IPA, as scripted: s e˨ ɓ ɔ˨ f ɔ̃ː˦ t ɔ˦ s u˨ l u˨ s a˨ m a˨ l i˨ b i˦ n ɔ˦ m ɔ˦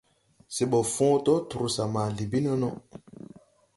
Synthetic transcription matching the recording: s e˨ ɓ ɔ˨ f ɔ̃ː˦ t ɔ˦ t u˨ ɾ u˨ s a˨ m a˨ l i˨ b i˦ n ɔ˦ n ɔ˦